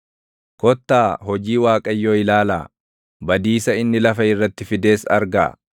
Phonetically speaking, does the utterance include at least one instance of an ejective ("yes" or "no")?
yes